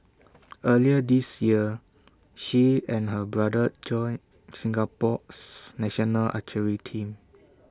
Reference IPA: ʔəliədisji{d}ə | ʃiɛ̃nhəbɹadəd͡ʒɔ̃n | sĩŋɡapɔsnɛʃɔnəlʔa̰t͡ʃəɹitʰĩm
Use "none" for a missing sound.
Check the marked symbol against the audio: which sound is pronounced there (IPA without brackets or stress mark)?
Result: none